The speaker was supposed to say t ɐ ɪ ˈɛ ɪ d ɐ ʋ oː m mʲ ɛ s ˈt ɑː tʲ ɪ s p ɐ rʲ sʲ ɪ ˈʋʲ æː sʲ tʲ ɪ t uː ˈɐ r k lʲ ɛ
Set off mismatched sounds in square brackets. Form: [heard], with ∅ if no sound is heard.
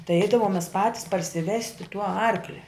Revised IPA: t ɐ ɪ ˈɛ ɪ d ɐ ʋ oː m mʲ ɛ s [ˈp] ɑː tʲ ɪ s p ɐ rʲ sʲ ɪ ˈʋʲ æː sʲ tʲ ɪ t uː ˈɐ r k lʲ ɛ

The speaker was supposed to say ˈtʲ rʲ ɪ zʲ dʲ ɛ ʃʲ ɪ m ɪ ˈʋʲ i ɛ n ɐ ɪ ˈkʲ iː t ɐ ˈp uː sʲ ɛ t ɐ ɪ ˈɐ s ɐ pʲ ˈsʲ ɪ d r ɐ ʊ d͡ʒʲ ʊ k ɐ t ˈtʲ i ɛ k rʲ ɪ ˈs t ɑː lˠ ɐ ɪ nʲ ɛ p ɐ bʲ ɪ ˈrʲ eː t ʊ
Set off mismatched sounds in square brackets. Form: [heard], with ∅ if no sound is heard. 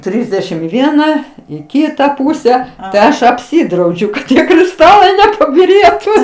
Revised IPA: ˈtʲ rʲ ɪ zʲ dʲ ɛ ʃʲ ɪ m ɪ ˈʋʲ i ɛ n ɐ ɪ ˈkʲ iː t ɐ ˈp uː sʲ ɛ t ɐ ɪ ˈɐ [ʃ] ɐ pʲ ˈsʲ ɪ d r ɐ ʊ d͡ʒʲ ʊ k ɐ t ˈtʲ i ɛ k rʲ ɪ ˈs t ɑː lˠ ɐ ɪ nʲ ɛ p ɐ bʲ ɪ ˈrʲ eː t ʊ

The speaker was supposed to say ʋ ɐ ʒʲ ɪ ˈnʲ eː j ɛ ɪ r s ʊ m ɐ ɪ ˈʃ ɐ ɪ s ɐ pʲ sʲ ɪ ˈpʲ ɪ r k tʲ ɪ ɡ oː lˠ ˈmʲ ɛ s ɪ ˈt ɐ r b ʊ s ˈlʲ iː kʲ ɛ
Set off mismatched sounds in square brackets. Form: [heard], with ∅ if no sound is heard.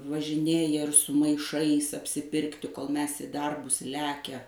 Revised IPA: ʋ ɐ ʒʲ ɪ ˈnʲ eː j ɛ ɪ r s ʊ m ɐ ɪ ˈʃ ɐ ɪ s ɐ pʲ sʲ ɪ ˈpʲ ɪ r k tʲ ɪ [k] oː lˠ ˈmʲ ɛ s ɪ [ˈd] ɐ r b ʊ s ˈlʲ [æː] kʲ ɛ

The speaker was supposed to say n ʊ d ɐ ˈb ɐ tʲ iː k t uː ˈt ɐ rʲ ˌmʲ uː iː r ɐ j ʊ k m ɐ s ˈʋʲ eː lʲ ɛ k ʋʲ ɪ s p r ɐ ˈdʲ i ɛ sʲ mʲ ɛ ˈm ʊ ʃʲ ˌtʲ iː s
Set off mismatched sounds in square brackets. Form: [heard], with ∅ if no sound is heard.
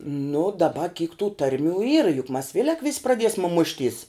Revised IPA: n ʊ d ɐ ˈb ɐ [kʲ] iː k t uː ˈt ɐ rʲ ˌmʲ uː iː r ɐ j ʊ k m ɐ s ˈʋʲ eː lʲ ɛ k ʋʲ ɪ s p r ɐ ˈdʲ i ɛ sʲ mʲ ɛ ˈm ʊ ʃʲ ˌtʲ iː s

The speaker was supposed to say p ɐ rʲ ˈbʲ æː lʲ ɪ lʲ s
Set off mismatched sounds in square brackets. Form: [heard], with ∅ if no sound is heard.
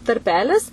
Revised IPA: [t] ɐ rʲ [ˈpʲ] æː lʲ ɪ [∅] s

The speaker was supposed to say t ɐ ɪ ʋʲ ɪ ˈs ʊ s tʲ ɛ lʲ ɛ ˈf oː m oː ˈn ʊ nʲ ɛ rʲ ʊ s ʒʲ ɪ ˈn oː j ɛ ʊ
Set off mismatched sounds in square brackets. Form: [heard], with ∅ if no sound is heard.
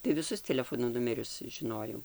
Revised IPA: t ɐ ɪ ʋʲ ɪ ˈs ʊ s tʲ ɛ lʲ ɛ ˈf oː [n] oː ˈn ʊ [mʲ] ɛ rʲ ʊ s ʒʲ ɪ ˈn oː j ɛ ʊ

